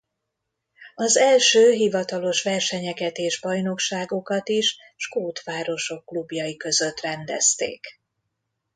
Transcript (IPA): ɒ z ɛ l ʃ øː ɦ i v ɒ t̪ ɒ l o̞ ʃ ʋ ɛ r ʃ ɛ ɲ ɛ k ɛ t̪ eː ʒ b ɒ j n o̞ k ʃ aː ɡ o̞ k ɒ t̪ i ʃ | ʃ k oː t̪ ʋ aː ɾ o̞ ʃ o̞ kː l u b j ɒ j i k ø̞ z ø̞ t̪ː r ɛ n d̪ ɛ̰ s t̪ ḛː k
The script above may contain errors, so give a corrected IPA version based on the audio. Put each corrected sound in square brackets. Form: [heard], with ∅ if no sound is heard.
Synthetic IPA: ɒ z ɛ l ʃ øː ɦ i v ɒ t̪ ɒ l o̞ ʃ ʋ ɛ r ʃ ɛ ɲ ɛ k ɛ t̪ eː ʒ b ɒ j n o̞ k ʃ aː ɡ o̞ k ɒ t̪ i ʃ | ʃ k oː t̪ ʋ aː ɾ o̞ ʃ o̞ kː l u b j ɒ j i k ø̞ z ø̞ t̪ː r ɛ n d̪ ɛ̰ s t̪ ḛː k

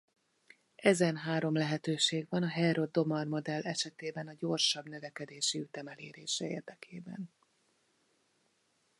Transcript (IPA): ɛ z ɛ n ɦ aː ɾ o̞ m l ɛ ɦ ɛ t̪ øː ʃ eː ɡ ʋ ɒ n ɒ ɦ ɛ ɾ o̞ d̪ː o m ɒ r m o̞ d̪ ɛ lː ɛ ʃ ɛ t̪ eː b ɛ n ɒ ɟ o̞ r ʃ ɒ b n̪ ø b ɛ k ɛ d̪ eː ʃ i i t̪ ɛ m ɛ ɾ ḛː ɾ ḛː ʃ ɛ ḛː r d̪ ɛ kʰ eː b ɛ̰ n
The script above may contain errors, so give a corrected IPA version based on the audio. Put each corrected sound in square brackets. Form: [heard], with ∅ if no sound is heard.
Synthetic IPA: ɛ z ɛ n ɦ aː ɾ o̞ m l ɛ ɦ ɛ t̪ øː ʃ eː ɡ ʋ ɒ n ɒ ɦ ɛ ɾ o̞ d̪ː o m ɒ r m o̞ d̪ ɛ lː ɛ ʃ ɛ t̪ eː b ɛ n ɒ ɟ o̞ r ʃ ɒ b n̪ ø [v] ɛ k ɛ d̪ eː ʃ i [y] t̪ ɛ m ɛ [l] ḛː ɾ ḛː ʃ ɛ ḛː r d̪ ɛ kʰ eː b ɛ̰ n

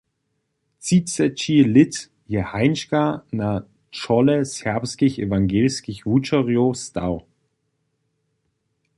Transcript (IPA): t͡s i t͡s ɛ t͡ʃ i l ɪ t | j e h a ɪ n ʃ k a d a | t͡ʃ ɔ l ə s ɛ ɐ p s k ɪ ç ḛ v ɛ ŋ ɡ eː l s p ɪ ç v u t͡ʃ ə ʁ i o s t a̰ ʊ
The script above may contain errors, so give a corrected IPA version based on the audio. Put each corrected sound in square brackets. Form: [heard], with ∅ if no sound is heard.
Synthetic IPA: t͡s i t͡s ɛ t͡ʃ i l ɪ t | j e h a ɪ n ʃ k a [n] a | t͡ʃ ɔ l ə s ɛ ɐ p s k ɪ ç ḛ v [a] ŋ ɡ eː l s [k] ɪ ç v u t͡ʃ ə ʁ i o s t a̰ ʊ

